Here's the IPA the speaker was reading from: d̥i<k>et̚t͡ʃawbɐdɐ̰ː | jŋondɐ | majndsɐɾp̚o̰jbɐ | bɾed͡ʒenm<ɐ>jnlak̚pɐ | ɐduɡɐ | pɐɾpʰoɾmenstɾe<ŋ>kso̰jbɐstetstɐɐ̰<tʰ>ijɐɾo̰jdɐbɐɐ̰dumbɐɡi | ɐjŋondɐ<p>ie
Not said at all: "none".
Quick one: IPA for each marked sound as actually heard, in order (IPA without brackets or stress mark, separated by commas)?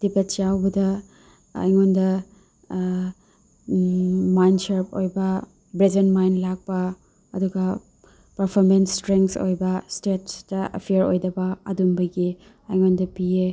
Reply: p, a, ŋ, pʰ, p